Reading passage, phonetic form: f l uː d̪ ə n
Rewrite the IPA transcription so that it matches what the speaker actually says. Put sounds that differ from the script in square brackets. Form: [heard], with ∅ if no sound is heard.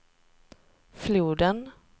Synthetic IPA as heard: f l uː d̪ ə n